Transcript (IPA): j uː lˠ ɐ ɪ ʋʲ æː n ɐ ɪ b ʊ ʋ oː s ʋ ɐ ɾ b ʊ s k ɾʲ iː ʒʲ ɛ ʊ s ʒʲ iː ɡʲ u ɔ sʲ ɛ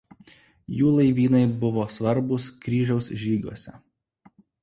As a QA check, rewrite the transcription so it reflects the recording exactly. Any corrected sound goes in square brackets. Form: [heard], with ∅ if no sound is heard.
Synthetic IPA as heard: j uː lˠ ɐ ɪ ʋʲ [iː] n ɐ ɪ b ʊ ʋ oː s ʋ ɐ ɾ b ʊ s k ɾʲ iː ʒʲ ɛ ʊ s ʒʲ iː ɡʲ u ɔ sʲ ɛ